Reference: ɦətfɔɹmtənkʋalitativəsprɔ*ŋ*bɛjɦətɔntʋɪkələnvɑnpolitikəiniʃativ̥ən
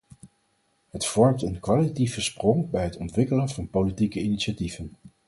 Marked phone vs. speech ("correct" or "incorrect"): correct